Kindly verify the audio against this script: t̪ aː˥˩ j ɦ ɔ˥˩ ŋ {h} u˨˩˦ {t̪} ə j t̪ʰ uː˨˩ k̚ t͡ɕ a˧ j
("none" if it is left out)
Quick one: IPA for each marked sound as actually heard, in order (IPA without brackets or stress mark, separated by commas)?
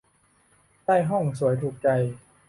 s, none